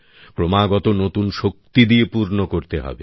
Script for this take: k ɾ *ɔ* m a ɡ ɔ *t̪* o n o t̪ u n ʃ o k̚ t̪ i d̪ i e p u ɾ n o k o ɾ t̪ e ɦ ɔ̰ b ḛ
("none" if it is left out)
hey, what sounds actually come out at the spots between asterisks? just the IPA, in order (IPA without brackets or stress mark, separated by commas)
o, t̪